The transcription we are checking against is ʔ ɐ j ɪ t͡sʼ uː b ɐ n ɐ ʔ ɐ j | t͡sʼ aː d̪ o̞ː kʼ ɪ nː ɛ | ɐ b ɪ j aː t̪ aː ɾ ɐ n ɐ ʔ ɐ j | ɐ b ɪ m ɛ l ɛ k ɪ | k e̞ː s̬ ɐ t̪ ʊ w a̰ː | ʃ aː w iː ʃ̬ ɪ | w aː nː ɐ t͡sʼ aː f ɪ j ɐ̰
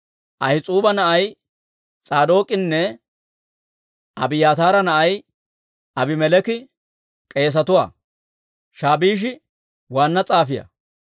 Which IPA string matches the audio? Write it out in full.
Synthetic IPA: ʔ ɐ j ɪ t͡sʼ uː b ɐ n ɐ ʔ ɐ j | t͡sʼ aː d̪ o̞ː kʼ ɪ nː ɛ | ɐ b ɪ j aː t̪ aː ɾ ɐ n ɐ ʔ ɐ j | ɐ b ɪ m ɛ l ɛ k ɪ | kʼ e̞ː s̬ ɐ t̪ ʊ w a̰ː | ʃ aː b iː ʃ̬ ɪ | w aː nː ɐ t͡sʼ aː f ɪ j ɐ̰